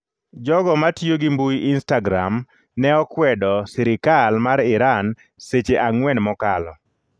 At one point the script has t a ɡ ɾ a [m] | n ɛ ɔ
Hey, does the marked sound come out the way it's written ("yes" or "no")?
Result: yes